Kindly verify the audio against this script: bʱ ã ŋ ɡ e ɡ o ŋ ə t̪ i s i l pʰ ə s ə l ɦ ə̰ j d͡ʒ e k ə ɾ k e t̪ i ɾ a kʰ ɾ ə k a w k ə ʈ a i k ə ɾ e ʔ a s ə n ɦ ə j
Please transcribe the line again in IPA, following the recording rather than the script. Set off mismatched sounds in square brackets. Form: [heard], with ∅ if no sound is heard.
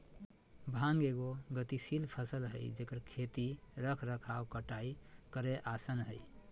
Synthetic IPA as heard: bʱ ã ŋ ɡ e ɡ o [ɡ] ə t̪ i s i l pʰ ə s ə l ɦ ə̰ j d͡ʒ e k ə ɾ [kʰ] e t̪ i ɾ [ə] kʰ ɾ ə [kʰ] a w k ə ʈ a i k ə ɾ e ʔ a s ə n ɦ ə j